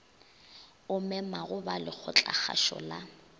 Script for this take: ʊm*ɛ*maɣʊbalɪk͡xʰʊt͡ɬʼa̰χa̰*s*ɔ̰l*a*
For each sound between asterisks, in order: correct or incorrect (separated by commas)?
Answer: correct, incorrect, correct